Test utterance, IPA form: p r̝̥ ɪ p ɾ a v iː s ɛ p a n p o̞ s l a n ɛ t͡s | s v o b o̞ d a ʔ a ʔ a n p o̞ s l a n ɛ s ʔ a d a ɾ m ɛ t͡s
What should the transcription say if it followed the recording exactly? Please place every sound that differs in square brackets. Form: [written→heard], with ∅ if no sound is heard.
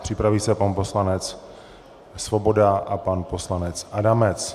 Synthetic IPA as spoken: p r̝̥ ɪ p ɾ a v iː s ɛ p a n p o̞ s l a n ɛ t͡s | s v o b o̞ d a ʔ a [ʔ→p] a n p o̞ s l a n ɛ [s→t͡s] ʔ a d a [ɾ→∅] m ɛ t͡s